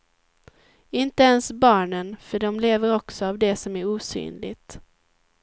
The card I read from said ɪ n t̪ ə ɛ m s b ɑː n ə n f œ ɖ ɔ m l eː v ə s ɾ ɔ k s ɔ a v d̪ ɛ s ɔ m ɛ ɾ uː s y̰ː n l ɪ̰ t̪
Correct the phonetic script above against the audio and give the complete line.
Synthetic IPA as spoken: ɪ n t̪ ə ɛ n s b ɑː ɳ ə n f œ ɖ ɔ m l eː v ə ɾ ɔ k s ɔ a v d̪ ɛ s ɔ m æ ɾ uː s y̰ː n l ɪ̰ t̪